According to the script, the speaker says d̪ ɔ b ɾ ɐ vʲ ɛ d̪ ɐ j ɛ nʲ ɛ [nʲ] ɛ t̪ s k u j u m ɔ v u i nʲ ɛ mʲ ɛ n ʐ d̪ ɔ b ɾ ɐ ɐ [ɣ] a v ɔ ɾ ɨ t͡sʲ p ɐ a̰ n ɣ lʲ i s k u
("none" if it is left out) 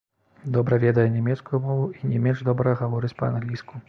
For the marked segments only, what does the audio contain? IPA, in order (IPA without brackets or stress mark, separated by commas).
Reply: mʲ, ɣ